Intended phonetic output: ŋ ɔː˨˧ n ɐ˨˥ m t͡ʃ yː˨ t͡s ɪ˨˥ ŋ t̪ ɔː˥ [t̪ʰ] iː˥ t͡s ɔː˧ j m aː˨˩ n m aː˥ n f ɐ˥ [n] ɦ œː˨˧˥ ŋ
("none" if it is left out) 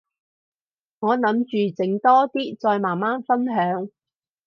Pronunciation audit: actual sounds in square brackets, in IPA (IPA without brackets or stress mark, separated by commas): t̪, n